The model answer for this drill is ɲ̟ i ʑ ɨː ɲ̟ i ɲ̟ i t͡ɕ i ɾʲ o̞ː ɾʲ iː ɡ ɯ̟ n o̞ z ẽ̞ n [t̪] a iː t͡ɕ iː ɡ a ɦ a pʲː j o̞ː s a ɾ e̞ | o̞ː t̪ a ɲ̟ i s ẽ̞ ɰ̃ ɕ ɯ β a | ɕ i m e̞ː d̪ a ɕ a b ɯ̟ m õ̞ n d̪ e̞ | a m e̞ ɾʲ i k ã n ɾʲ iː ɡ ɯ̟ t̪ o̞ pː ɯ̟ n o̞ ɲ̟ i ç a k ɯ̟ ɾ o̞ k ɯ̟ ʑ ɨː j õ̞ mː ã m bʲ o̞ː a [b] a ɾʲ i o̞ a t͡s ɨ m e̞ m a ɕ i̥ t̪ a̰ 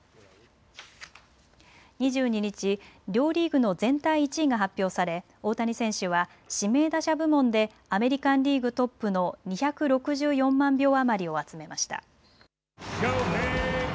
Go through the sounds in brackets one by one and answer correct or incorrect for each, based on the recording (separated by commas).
correct, incorrect